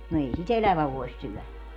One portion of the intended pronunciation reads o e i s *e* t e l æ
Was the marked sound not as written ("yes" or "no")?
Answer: yes